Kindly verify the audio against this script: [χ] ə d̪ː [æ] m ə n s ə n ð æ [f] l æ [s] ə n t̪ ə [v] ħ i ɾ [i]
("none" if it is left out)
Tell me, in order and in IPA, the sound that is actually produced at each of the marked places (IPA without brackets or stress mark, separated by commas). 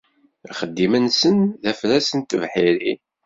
χ, i, f, s, v, i